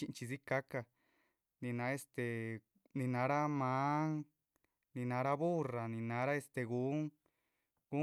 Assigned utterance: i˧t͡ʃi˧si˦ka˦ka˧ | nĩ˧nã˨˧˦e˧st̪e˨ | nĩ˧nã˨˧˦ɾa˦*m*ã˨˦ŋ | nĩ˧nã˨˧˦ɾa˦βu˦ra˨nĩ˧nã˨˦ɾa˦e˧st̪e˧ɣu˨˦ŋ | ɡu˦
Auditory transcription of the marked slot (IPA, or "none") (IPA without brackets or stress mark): m